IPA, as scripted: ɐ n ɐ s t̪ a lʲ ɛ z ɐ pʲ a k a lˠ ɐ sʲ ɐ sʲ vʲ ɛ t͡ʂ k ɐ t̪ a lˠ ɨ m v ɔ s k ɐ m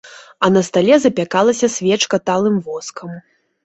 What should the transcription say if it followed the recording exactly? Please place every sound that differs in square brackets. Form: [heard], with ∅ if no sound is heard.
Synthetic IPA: ɐ n ɐ s t̪ a lʲ ɛ z ɐ pʲ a k a lˠ ɐ sʲ ɐ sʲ vʲ ɛ t͡ʂ k ɐ t̪ a lˠ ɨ m v ɔ s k ɐ m